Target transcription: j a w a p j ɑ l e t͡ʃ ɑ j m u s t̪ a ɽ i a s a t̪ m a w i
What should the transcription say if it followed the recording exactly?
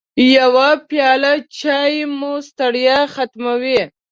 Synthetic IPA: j a w a p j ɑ l a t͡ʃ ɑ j m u s t̪ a ɽ j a x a t̪ m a w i